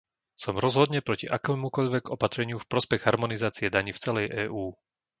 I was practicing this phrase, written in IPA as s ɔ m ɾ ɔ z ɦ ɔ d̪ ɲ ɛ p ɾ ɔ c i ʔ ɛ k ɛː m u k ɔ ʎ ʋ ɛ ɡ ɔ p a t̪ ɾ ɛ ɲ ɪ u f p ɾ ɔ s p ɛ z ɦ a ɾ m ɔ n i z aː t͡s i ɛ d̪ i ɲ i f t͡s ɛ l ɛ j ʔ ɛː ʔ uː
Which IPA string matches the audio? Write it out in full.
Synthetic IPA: s ɔ m ɾ ɔ z ɦ ɔ d̪ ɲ ɛ p ɾ ɔ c i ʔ a k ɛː m u k ɔ ʎ ʋ ɛ ɡ ɔ p a t̪ ɾ ɛ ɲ ɪ u f p ɾ ɔ s p ɛ ɣ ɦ a ɾ m ɔ n i z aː t͡s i ɛ d̪ a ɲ i f t͡s ɛ l ɛ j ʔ ɛː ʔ uː

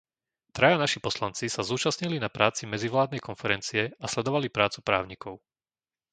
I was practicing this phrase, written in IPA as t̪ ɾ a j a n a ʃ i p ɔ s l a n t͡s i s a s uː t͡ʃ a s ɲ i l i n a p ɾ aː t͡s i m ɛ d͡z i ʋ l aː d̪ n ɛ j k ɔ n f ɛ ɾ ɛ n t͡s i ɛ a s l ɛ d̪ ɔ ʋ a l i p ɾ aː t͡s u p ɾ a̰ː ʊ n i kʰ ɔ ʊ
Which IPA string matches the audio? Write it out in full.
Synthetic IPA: t̪ ɾ a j a n a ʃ i p ɔ s l a n t͡s i s a z uː t͡ʃ a s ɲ i l i n a p ɾ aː t͡s i m ɛ d͡z i ʋ l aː d̪ n ɛ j k ɔ n f ɛ ɾ ɛ n t͡s i ɛ a s l ɛ d̪ ɔ ʋ a l i p ɾ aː t͡s u p ɾ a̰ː ʊ ɲ i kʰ ɔ ʊ

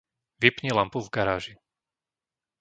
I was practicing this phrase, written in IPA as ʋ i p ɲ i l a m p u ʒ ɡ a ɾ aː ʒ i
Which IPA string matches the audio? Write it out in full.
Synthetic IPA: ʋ i p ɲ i l a m p u v ɡ a ɾ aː ʒ i

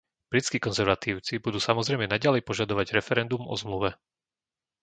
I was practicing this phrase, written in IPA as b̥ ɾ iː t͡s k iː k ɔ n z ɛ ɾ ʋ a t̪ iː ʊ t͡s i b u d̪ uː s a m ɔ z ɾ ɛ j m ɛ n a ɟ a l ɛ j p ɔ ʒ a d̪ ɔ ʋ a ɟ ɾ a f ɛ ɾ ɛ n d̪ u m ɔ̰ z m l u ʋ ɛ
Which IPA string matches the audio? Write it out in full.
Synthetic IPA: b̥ ɾ i t͡s k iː k ɔ n z ɛ ɾ ʋ a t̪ iː ʊ t͡s i b u d̪ uː s a m ɔ z ɾ ɛ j m ɛ n a ɟ a l ɛ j p ɔ ʒ a d̪ ɔ ʋ a ɟ ɾ ɛ f ɛ ɾ ɛ n d̪ u m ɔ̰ z m l u ʋ ɛ

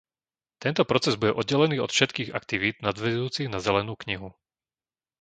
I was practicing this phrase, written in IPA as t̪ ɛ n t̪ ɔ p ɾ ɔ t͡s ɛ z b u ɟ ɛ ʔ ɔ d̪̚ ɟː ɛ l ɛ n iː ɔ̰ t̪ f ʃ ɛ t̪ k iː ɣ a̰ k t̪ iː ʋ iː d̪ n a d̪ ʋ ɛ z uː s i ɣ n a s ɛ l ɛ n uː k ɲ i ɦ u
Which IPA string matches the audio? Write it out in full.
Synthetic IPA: t̪ ɛ n t̪ ɔ p ɾ ɔ t͡s ɛ z b u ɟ ɛ ʔ ɔ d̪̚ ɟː ɛ l ɛ n iː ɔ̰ t̪ f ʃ ɛ t̪ k iː ɣ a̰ k t̪ i ʋ iː d̪ n a d̪ ʋ ɛ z uː t͡s i ɣ n a z ɛ l ɛ n uː k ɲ i ɦ u

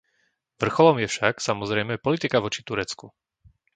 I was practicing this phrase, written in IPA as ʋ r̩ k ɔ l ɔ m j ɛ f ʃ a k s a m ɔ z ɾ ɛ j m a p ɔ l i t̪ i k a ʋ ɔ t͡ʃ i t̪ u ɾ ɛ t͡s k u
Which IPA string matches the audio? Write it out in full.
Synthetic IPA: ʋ r̩ x ɔ l ɔ m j ɛ f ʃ a k s a m ɔ z ɾ ɛ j m ɛ p ɔ l i t̪ i k a ʋ ɔ t͡ʃ i t̪ u ɾ ɛ t͡s k u

